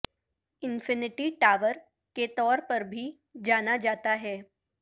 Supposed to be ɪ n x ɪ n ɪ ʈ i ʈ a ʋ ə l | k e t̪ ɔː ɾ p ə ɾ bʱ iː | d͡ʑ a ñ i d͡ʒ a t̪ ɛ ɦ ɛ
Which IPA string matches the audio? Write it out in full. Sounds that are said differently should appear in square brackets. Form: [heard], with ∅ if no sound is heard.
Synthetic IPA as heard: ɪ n [f] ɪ n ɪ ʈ i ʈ a ʋ ə [ɾ] | k e t̪ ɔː ɾ p ə ɾ bʱ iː | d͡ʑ a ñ [a] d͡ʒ a t̪ [a] ɦ ɛ